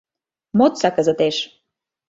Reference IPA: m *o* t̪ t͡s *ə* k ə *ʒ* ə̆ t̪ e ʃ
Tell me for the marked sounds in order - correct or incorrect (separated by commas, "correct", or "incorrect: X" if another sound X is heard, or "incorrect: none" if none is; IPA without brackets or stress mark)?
correct, incorrect: ɑ, incorrect: z